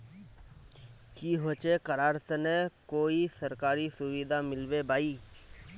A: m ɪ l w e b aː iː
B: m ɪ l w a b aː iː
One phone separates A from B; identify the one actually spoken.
A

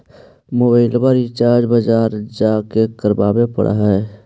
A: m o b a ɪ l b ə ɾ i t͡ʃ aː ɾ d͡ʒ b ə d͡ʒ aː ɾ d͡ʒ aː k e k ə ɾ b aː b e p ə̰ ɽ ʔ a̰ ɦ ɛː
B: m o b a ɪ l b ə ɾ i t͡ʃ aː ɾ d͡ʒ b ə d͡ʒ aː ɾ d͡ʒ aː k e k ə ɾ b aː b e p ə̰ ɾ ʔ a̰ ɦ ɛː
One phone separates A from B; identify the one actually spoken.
A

